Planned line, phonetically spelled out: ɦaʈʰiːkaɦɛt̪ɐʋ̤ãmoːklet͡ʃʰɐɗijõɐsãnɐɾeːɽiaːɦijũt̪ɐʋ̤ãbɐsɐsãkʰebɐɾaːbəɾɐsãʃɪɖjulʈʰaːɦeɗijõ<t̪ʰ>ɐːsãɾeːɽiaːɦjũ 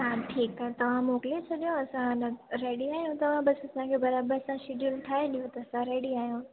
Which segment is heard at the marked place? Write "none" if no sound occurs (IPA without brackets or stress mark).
t̪